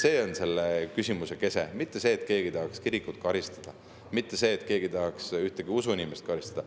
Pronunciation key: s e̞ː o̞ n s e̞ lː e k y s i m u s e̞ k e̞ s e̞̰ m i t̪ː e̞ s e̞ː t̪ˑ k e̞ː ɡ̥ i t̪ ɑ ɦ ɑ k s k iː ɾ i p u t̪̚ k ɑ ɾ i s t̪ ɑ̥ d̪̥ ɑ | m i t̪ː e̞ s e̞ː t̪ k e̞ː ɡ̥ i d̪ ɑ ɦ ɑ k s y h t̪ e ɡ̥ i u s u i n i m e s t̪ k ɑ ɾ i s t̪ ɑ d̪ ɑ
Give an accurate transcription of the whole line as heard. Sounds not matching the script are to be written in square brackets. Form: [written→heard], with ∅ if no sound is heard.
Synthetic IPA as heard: s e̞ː o̞ n s e̞ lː e k y s i m u s e̞ k e̞ s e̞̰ m i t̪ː e̞ s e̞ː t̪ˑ k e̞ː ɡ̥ i t̪ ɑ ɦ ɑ k s k [iː→i] ɾ i [p→k] u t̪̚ k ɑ ɾ i s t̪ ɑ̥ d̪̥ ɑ | m i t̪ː e̞ s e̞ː t̪ k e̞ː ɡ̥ i [d̪→t̪] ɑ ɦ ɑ k s y h t̪ e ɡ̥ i u s u i n i m e s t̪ k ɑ ɾ i s t̪ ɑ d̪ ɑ